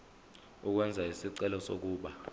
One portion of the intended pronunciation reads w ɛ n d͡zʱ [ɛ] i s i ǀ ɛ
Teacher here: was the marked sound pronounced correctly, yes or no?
no